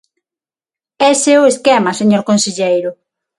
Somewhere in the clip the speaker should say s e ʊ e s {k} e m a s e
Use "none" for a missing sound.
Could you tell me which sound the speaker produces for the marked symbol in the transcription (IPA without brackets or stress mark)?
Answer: k